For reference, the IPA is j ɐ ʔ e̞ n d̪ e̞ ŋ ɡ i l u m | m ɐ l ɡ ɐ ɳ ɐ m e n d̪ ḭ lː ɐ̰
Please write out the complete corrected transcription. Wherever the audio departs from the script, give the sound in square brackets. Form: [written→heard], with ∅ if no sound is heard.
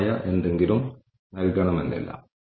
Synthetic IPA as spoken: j ɐ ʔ e̞ n d̪ e̞ ŋ ɡ i l u m | [m→n] ɐ l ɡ ɐ ɳ ɐ m e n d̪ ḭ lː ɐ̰